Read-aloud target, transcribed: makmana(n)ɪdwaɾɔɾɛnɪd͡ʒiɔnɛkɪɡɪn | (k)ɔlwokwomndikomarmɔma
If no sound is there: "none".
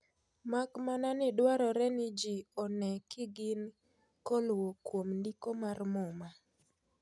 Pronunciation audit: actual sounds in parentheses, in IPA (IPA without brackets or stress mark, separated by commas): n, k